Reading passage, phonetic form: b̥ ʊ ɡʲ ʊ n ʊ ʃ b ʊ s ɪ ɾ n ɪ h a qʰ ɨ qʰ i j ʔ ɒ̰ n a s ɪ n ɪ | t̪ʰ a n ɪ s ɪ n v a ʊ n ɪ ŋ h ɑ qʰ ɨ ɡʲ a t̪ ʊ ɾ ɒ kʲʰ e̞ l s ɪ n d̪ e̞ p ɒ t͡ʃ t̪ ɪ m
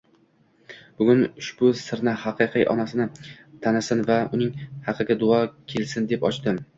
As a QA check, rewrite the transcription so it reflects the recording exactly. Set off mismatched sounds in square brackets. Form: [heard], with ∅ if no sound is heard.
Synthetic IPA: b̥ ʊ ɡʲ ʊ n ʊ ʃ b ʊ s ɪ ɾ n ɪ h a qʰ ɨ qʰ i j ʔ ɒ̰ n a s ɪ n ɪ | t̪ʰ a n ɪ s ɪ n v a ʊ n ɪ ŋ h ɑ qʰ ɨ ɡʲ a [d̪] ʊ [∅] ɒ kʲʰ e̞ l s ɪ n d̪ e̞ p ɒ t͡ʃ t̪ ɪ m